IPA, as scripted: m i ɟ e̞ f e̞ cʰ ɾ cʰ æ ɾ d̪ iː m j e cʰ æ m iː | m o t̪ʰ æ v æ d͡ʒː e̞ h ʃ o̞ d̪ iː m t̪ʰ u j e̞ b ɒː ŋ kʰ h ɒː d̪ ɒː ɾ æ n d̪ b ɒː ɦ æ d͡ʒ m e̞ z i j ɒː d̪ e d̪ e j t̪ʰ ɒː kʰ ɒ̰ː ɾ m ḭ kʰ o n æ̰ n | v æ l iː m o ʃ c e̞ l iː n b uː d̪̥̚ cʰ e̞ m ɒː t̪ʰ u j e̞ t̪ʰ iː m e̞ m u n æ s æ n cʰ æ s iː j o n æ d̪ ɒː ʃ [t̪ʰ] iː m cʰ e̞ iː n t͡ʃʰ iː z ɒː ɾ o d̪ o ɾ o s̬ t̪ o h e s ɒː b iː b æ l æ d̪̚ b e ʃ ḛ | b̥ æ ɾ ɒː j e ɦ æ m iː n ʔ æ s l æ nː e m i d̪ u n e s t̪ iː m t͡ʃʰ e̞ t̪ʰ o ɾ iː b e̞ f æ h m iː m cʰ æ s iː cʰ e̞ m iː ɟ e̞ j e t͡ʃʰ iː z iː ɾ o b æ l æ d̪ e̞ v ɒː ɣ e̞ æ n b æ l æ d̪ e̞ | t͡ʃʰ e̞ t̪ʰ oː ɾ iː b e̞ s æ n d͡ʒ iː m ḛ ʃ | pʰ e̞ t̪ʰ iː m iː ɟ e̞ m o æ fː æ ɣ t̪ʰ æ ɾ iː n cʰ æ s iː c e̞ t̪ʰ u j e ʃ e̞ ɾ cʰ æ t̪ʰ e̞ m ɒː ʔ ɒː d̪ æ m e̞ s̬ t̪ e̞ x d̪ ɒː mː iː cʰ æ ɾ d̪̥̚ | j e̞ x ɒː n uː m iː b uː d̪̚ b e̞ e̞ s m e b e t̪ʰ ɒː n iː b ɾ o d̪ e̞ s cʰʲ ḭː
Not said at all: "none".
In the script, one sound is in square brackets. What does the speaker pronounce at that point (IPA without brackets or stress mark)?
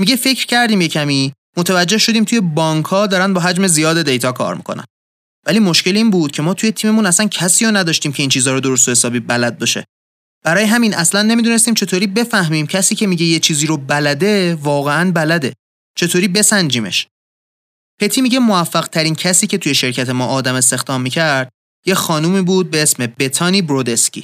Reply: t̪